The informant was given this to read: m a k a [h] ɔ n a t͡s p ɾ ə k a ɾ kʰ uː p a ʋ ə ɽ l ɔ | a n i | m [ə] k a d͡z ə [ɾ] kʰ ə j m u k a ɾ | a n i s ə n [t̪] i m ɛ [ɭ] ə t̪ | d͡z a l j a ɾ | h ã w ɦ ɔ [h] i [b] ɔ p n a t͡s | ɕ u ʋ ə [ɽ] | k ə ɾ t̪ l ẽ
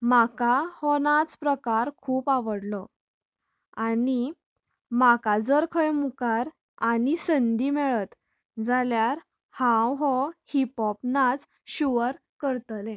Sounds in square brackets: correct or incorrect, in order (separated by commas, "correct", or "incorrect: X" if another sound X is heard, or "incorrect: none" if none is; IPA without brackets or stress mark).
correct, incorrect: a, correct, incorrect: d̪, correct, correct, incorrect: p, incorrect: ɾ